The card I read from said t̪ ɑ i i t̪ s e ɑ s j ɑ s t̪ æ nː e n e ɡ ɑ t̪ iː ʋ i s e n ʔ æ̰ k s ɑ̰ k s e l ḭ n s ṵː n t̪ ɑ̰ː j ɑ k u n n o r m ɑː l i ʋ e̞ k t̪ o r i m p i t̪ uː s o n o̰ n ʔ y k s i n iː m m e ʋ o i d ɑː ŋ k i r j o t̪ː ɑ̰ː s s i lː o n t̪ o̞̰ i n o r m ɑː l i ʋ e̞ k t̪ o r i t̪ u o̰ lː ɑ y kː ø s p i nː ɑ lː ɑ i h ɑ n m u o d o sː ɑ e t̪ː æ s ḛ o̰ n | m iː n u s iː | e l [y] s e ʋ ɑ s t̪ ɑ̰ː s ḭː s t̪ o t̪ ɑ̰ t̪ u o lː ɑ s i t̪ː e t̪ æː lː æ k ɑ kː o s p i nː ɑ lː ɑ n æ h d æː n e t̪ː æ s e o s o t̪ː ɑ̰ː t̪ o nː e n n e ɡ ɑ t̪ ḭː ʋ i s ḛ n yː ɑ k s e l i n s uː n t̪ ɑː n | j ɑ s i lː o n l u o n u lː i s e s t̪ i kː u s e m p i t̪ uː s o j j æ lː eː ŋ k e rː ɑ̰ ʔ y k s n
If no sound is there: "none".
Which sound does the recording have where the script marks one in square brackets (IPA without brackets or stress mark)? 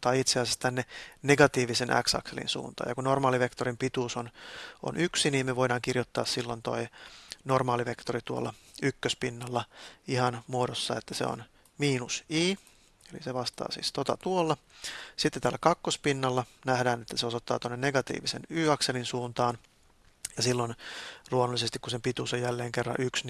i